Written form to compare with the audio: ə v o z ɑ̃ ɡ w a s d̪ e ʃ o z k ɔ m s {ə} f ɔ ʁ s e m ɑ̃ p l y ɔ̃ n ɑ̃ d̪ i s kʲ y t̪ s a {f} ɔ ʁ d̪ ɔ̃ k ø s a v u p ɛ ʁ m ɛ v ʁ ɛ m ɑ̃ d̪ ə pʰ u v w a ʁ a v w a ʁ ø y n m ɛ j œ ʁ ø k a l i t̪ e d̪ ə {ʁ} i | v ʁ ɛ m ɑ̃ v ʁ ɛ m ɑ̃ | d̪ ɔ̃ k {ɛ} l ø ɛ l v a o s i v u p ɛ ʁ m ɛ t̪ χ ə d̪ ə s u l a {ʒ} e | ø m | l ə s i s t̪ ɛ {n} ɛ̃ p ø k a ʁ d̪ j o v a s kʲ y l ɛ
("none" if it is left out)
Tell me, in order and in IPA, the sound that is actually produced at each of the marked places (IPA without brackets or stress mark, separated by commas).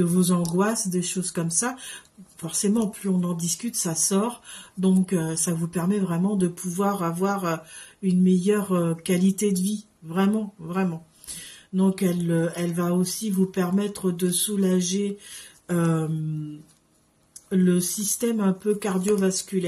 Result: a, s, v, ɛ, ʒ, m